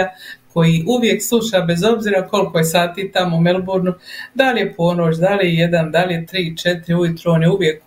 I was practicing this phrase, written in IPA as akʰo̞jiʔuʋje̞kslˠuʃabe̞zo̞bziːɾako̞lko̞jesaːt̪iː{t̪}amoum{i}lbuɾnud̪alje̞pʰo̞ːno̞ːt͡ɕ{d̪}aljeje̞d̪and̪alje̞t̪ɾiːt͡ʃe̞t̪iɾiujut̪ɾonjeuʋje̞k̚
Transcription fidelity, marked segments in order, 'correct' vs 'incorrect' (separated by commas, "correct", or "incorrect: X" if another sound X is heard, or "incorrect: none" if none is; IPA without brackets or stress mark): correct, incorrect: e, correct